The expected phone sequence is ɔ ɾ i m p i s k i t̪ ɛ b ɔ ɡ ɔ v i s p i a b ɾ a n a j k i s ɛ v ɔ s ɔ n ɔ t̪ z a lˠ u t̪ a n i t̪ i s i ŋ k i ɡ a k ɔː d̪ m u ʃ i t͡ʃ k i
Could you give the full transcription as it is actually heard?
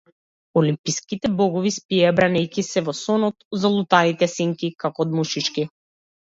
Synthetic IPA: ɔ l i m p i s k i t̪ ɛ b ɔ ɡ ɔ v i s p i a b ɾ a n ɛ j k i s ɛ v ɔ s ɔ n ɔ t̪ z a lˠ u t̪ a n i t̪ ɛ s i ŋ k i k a k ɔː d̪ m u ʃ i t͡ʃ k i